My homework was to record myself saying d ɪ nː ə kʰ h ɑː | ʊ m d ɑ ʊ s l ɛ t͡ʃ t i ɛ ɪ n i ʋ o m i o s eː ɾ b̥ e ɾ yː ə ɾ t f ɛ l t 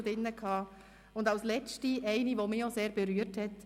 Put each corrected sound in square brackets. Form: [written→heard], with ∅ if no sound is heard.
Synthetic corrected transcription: d ɪ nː ə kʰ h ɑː | ʊ [m→n] d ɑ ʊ s l ɛ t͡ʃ t i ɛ ɪ n i ʋ o m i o s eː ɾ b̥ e ɾ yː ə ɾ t [f→h] ɛ [l→∅] t